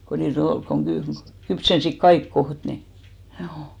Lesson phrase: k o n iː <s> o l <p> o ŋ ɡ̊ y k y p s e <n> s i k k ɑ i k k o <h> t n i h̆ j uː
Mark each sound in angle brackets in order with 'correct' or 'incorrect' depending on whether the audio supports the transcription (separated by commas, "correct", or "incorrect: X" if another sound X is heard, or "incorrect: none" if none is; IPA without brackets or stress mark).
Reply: incorrect: t, incorrect: k, correct, correct